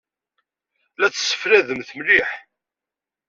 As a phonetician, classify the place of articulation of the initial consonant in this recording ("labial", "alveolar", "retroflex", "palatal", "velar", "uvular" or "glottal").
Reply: alveolar